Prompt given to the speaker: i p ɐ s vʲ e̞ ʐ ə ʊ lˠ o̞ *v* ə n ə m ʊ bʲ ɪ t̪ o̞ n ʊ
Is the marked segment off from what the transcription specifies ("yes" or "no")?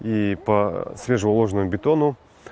yes